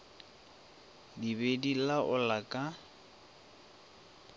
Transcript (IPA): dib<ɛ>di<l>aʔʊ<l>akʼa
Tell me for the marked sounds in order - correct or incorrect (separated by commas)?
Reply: incorrect, correct, correct